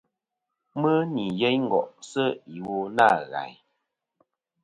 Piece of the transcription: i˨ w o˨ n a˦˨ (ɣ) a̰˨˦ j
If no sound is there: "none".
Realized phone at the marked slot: ɣ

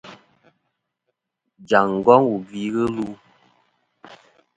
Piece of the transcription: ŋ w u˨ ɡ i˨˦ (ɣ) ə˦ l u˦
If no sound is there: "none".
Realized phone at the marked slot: ɣ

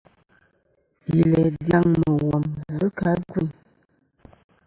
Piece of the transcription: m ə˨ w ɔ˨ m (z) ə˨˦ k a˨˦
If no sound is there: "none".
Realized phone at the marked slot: z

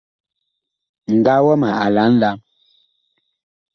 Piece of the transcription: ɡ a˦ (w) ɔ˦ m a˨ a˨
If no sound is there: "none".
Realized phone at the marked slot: w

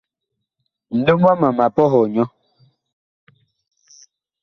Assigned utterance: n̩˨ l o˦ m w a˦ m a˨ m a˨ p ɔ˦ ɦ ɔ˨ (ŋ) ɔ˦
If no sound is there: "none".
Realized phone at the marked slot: ɲ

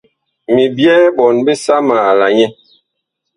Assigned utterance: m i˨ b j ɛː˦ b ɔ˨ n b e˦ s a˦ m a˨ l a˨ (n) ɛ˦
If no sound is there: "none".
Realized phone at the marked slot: ɲ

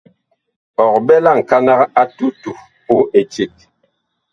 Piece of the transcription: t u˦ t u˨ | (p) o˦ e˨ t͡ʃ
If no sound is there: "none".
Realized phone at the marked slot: p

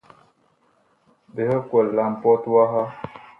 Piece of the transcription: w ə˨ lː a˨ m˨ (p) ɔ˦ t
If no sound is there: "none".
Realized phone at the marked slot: p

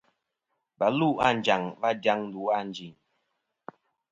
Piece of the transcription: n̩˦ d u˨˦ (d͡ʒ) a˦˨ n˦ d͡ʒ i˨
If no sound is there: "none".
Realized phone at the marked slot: none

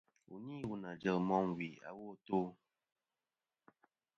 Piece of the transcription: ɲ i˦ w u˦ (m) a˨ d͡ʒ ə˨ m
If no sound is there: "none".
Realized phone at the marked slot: n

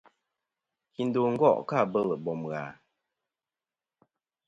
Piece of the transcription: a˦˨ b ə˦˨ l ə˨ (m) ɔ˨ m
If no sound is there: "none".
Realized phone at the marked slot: b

